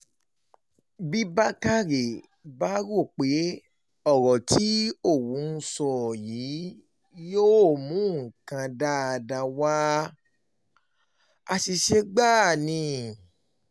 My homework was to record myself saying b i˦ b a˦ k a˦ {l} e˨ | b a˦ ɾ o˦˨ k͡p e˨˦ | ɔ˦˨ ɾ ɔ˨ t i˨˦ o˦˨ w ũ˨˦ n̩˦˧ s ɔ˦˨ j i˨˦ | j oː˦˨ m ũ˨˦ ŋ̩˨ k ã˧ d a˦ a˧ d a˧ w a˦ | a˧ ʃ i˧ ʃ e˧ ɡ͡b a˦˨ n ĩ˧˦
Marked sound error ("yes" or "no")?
yes